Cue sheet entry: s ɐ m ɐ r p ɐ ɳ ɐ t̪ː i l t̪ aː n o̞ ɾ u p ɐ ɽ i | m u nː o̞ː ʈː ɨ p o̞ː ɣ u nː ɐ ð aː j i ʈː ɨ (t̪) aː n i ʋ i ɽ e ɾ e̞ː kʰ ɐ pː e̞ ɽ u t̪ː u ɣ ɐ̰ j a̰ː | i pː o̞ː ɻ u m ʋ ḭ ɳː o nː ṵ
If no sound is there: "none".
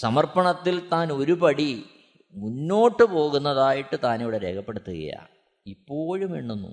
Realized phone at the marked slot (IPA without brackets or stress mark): t̪